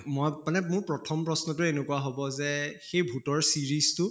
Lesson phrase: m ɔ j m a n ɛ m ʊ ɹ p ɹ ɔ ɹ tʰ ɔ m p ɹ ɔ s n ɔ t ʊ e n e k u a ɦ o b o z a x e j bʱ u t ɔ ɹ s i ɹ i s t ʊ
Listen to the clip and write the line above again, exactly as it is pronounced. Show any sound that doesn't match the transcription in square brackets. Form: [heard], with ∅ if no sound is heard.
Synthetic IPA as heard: m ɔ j m a n ɛ m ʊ ɹ p ɹ ɔ [∅] tʰ ɔ m p ɹ ɔ s n ɔ t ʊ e n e k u a ɦ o b [ɔ] z [ɛ] x e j bʱ u t ɔ ɹ s i ɹ i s t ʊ

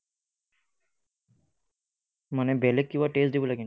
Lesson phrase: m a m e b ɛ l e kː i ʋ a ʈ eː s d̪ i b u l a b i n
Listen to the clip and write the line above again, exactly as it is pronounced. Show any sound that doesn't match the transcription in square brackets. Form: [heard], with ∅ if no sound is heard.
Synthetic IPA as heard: m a [n] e b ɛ l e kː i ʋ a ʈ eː s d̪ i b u l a [ɡ] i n

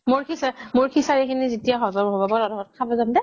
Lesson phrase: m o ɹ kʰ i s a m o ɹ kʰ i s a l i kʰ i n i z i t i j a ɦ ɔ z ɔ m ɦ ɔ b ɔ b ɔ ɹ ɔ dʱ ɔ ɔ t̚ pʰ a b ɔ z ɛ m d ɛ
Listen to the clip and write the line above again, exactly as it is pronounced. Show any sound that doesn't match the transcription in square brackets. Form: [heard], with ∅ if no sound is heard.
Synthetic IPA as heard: m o ɹ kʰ i s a m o ɹ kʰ i s a [ɹ] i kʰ i n i z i t i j a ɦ ɔ z ɔ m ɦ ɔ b ɔ b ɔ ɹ ɔ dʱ ɔ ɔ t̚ [kʰ] a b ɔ z [a] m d ɛ

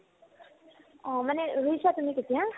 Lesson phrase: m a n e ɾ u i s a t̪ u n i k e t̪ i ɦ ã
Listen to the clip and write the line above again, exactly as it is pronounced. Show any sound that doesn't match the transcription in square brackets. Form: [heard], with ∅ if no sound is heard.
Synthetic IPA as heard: m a n e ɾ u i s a t̪ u [m] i k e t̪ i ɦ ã

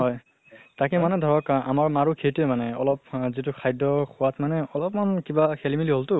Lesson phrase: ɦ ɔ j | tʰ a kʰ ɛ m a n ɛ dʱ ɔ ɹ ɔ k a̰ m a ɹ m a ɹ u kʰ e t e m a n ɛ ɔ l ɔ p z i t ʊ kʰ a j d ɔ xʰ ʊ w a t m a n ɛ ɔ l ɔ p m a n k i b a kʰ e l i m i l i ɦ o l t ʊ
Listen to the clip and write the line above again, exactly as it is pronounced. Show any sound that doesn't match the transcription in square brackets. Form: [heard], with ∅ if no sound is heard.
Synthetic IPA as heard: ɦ ɔ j | [t] a [k] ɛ m a n ɛ dʱ ɔ ɹ ɔ k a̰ m a ɹ m a ɹ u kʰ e t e m a n ɛ ɔ l ɔ p z i t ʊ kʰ a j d ɔ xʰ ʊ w a t m a n ɛ ɔ l ɔ p m a n k i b a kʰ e l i m i l i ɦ o l t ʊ

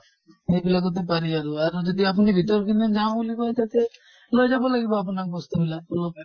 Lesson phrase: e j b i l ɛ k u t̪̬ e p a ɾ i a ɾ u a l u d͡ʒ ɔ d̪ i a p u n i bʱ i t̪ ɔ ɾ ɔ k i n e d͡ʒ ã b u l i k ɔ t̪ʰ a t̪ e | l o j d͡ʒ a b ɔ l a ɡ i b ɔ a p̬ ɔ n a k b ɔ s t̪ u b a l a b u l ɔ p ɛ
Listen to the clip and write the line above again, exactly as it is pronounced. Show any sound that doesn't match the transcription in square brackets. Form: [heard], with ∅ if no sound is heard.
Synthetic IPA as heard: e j b i l [a] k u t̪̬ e p a ɾ i a ɾ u a [ɾ] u d͡ʒ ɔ d̪ i a p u n i bʱ i t̪ ɔ ɾ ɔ k i n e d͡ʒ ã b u l i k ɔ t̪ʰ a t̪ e | l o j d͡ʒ a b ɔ l a ɡ i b ɔ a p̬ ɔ n a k b ɔ s t̪ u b [i] l a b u l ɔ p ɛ

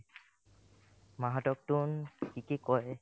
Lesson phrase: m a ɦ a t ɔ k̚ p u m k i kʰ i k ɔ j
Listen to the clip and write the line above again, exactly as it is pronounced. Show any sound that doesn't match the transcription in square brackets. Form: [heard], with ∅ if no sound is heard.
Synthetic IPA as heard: m a ɦ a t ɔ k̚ [t] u [n] k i [k] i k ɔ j

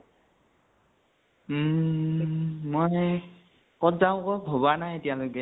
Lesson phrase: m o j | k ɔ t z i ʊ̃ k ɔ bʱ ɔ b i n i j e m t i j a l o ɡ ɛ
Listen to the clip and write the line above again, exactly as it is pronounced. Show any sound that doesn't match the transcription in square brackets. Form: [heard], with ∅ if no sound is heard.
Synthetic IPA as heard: m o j | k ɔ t z [a] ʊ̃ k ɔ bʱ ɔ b [a] n [a] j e [∅] t i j a l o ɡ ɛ

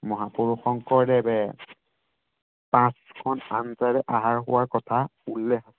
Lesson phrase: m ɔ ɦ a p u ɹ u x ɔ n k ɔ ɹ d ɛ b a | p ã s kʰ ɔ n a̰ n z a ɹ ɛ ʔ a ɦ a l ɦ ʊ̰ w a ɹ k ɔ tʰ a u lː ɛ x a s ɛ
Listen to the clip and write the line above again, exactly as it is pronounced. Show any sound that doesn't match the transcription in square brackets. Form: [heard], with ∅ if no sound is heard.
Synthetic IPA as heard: m ɔ ɦ a p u ɹ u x ɔ [ŋ] k ɔ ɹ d ɛ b [ɛ] | p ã s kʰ ɔ n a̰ n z a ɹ ɛ ʔ a ɦ a [ɹ] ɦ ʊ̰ w a ɹ k ɔ tʰ a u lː ɛ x a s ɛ

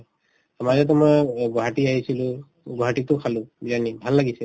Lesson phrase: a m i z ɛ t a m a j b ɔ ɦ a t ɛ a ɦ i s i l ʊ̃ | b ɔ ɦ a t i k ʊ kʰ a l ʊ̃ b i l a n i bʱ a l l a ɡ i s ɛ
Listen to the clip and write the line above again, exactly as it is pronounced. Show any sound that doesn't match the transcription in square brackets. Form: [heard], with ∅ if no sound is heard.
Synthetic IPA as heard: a m [a] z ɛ t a m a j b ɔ ɦ a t [i] a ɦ i s i l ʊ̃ | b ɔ ɦ a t i [t] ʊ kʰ a l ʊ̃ b i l a n i bʱ a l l a ɡ i s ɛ

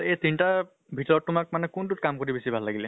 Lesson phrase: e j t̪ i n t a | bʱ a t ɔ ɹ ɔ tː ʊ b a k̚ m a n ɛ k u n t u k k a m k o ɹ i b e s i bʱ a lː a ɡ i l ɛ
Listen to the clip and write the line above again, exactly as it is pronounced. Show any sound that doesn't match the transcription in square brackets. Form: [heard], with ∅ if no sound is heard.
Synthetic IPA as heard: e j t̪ i n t a | bʱ [i] t ɔ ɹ ɔ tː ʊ [m] a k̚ m a n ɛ k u n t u [t] k a m k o ɹ i b e s i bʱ a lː a ɡ i l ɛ

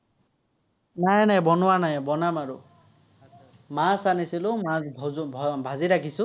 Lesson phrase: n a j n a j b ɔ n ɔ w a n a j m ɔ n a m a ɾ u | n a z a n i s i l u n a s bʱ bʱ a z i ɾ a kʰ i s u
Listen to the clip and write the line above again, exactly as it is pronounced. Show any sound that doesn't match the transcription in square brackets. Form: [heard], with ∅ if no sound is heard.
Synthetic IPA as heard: n a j n a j b ɔ n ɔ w a n a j [b] ɔ n a m a ɾ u | [m] a [s] a n i s i l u [m] a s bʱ bʱ a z i ɾ a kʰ i s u

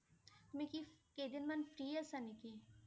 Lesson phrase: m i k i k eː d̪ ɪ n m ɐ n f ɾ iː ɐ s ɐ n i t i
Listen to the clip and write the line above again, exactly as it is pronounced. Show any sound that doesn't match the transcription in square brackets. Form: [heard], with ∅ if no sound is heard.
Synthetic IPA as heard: m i k i k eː d̪ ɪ n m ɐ n f ɾ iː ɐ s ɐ n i [k] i

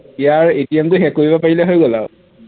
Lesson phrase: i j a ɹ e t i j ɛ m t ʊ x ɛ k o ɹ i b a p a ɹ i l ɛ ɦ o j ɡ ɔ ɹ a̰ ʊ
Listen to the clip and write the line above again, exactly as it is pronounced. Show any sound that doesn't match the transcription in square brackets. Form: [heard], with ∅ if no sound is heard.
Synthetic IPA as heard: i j a ɹ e t i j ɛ m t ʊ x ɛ k o ɹ i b a p a ɹ i l ɛ ɦ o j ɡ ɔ [l] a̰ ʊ

